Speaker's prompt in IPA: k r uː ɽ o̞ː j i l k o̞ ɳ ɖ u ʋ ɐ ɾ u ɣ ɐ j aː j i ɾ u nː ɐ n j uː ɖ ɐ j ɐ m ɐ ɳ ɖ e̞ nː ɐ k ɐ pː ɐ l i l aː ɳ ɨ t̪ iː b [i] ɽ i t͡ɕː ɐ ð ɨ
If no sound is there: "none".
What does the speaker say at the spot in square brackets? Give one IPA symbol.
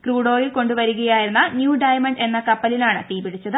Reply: i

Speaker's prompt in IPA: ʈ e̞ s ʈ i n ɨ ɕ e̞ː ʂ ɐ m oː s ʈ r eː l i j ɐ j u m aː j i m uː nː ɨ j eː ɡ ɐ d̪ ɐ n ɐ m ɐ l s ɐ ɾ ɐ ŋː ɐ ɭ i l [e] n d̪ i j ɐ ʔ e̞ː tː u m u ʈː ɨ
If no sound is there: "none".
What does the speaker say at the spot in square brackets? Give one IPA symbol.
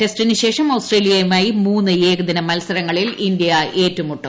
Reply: i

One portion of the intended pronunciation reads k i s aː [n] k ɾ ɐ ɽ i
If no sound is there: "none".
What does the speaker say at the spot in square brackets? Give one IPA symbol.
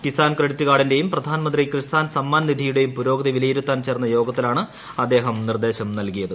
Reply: n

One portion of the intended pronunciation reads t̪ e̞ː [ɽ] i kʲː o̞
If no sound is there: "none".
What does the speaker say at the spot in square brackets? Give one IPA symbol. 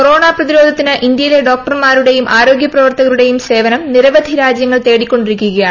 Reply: ɽ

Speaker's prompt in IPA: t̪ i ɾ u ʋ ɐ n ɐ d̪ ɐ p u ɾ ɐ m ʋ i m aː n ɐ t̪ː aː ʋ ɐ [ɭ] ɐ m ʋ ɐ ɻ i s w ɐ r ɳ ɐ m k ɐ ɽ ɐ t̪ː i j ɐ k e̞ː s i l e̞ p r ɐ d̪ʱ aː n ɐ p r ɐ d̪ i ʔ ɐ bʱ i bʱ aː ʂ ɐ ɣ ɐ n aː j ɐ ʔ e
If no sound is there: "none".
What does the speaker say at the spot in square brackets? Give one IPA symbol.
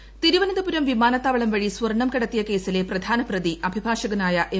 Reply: ɭ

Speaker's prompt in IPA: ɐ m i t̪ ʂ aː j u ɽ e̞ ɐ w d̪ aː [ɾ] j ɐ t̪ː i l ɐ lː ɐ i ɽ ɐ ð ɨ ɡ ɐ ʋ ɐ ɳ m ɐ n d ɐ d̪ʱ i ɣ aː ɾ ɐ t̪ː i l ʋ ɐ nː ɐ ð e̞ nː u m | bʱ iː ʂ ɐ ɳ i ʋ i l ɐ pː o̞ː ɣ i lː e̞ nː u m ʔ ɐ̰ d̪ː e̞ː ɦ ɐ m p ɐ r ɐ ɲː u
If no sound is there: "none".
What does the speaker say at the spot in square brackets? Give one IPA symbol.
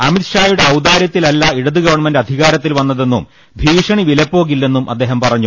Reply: ɾ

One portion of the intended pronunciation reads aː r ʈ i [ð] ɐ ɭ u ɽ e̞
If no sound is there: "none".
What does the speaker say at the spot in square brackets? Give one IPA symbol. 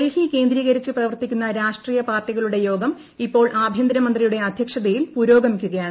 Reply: ɣ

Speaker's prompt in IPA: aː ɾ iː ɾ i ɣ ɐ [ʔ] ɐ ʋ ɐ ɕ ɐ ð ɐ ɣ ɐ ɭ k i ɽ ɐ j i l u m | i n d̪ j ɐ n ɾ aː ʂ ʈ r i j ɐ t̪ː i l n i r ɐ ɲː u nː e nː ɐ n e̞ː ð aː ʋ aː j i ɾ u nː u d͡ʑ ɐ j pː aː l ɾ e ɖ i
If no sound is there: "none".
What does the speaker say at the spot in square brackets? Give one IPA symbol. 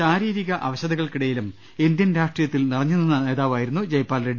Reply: ʔ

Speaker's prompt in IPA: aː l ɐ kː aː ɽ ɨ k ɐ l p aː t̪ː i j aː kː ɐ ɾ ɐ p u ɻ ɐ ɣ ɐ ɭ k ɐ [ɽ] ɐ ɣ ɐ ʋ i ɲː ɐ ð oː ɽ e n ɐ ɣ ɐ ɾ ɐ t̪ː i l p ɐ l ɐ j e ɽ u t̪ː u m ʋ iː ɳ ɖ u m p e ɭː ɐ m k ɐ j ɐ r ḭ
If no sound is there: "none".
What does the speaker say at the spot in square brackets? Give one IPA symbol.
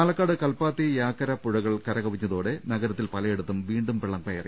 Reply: ɾ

